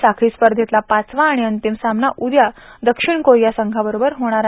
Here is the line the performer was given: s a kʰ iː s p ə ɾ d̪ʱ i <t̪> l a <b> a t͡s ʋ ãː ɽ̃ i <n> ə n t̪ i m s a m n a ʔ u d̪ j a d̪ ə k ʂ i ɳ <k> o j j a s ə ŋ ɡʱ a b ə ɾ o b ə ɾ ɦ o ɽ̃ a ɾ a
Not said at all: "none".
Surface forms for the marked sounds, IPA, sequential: t̪, p, none, k

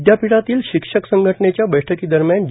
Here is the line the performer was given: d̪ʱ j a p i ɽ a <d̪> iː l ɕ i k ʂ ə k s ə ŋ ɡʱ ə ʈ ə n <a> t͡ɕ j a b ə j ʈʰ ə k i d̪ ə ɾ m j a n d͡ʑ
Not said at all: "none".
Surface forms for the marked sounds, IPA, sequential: t̪, e

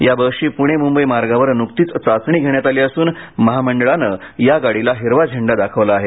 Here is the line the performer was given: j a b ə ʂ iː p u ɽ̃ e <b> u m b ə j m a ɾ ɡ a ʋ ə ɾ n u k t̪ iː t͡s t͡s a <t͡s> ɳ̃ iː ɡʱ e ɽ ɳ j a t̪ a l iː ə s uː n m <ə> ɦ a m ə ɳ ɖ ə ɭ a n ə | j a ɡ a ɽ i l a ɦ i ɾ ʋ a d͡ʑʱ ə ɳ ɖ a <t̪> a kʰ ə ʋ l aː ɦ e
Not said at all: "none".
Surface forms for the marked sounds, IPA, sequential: m, t͡s, ə, d̪

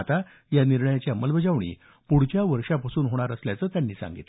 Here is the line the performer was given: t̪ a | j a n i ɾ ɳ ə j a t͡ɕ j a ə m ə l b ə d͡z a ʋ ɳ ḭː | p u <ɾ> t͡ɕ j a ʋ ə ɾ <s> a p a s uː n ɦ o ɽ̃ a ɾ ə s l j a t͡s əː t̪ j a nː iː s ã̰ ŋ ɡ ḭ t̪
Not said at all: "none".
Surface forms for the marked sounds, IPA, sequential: ɽ, ʂ

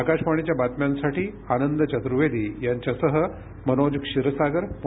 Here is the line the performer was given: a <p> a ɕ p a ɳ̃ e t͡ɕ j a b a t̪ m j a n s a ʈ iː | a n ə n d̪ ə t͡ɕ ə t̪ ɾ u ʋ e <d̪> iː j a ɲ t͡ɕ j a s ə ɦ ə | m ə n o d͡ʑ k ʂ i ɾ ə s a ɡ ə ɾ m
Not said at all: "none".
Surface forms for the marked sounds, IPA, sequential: k, d̪

